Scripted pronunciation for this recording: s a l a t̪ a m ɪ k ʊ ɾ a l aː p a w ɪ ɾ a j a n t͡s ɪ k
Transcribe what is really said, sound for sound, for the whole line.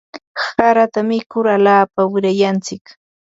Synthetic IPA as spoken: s a ɾ a t̪ a m ɪ k ʊ ɾ a l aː p a w ɪ ɾ a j a n t͡s ɪ k